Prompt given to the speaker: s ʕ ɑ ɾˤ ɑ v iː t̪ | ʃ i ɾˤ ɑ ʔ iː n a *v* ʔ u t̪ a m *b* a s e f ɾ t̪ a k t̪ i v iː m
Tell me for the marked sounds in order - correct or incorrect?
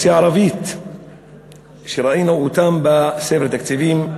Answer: incorrect: none, correct

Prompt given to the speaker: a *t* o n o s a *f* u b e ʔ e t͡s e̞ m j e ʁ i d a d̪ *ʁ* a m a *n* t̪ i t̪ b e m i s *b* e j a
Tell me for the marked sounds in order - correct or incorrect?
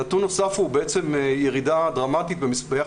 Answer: correct, correct, correct, incorrect: none, correct

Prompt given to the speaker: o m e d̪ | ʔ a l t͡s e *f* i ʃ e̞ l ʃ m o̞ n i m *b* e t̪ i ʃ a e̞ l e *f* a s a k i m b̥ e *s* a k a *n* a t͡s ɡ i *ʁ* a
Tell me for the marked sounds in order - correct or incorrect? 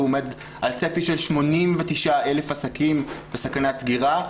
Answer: correct, incorrect: v, correct, correct, correct, correct

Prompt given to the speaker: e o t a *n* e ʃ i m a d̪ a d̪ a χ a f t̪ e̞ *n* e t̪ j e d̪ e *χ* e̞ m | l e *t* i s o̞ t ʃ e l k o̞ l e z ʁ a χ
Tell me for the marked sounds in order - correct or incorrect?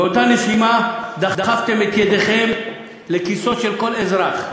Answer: correct, incorrect: m, correct, incorrect: k

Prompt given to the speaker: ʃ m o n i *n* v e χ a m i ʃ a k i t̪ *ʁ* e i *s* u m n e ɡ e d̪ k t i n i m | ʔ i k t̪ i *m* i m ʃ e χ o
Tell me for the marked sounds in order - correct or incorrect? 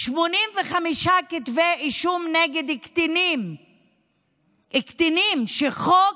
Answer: incorrect: m, incorrect: v, incorrect: ʃ, incorrect: n

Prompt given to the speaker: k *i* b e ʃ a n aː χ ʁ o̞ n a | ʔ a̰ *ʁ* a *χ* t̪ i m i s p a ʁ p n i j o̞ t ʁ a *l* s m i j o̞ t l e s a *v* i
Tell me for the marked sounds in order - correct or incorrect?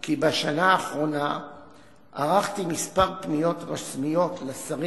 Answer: correct, correct, correct, incorrect: none, incorrect: ʁ

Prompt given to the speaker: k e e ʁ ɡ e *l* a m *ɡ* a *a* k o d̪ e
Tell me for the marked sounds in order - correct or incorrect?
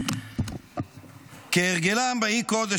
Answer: correct, incorrect: b, incorrect: i

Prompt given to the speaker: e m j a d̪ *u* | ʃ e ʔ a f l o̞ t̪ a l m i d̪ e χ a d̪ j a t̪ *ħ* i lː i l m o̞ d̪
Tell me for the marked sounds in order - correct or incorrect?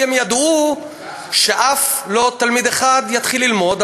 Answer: correct, incorrect: χ

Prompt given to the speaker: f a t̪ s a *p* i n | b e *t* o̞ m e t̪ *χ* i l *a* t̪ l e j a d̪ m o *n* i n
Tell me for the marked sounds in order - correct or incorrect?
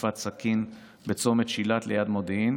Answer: incorrect: k, incorrect: t͡s, incorrect: ʃ, correct, incorrect: d

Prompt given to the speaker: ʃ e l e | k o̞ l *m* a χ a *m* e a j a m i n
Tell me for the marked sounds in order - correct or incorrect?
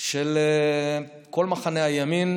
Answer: correct, incorrect: n

